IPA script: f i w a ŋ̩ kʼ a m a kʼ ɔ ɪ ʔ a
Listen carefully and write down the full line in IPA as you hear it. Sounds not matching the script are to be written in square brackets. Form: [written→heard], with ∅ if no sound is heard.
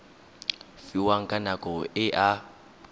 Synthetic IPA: f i w a ŋ̩ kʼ a [m→n] a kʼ ɔ ɪ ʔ a